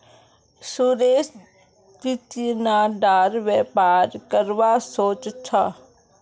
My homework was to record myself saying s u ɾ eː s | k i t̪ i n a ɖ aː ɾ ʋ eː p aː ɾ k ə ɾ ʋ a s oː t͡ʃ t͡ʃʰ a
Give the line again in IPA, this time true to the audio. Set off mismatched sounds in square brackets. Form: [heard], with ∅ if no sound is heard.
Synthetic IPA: s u ɾ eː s | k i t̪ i n a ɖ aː ɾ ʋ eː p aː ɾ k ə ɾ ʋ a s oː t͡ʃ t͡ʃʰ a